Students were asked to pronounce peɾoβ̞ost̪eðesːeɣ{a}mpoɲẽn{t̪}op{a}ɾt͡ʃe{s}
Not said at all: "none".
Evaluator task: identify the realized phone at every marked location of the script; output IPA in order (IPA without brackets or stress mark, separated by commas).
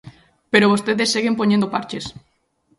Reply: e, d̪, a, s